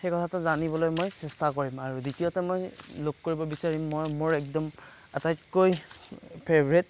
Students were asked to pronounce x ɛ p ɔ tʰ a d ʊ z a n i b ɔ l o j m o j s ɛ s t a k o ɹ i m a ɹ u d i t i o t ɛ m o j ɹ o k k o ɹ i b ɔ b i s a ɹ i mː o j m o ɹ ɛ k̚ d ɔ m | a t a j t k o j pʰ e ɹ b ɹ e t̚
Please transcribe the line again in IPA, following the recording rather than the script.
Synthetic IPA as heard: x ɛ k ɔ tʰ a t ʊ z a n i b ɔ l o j m o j s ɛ s t a k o ɹ i m a ɹ u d i t i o t ɛ m o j l o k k o ɹ i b ɔ b i s a ɹ i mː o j m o ɹ ɛ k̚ d ɔ m | a t a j t k o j pʰ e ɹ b ɹ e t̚